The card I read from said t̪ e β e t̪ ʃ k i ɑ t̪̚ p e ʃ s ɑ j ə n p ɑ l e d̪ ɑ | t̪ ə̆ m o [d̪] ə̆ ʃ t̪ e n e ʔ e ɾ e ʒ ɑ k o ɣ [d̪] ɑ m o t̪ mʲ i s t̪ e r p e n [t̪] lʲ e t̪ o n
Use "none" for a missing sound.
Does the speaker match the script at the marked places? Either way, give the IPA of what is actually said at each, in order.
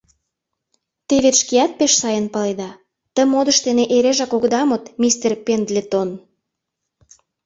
d̪, d̪, d̪

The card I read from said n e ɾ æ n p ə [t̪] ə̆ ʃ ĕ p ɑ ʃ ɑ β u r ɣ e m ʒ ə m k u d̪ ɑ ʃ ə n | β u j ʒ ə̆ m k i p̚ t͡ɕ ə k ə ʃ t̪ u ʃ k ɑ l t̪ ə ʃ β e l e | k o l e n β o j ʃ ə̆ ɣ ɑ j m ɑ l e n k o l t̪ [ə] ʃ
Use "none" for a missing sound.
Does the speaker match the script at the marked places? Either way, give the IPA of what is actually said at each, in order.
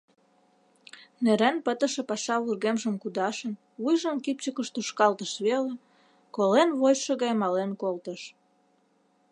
t̪, ə

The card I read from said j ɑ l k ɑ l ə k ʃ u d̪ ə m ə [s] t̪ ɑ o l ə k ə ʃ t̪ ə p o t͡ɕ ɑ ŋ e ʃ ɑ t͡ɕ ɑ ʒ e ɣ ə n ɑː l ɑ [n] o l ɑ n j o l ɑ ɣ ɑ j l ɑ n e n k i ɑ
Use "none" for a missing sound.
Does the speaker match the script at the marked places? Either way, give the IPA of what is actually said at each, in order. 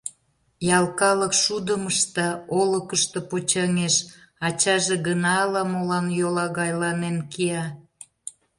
ʃ, m

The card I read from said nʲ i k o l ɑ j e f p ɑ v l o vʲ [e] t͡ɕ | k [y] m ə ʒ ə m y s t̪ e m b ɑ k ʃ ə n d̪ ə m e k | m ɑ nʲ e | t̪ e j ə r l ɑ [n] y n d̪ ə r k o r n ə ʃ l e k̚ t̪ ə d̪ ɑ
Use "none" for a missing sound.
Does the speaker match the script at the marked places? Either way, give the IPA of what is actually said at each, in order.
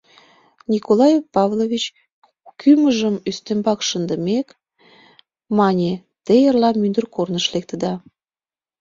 i, y, m

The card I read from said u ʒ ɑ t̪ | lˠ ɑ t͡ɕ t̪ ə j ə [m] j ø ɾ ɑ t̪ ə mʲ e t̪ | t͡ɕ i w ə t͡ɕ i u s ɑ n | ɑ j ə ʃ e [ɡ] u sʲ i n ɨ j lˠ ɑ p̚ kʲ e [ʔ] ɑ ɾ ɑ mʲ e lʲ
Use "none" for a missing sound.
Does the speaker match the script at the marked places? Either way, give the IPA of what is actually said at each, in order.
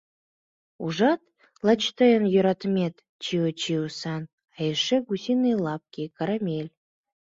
n, ɡ, k

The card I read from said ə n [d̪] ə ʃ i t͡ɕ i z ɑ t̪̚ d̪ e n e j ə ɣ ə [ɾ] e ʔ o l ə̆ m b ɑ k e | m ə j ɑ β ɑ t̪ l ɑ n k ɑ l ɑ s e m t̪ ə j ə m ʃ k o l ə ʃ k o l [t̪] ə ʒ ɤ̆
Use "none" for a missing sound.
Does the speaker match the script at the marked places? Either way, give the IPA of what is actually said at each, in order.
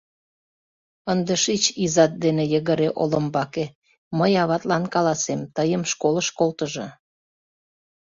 d̪, ɾ, t̪

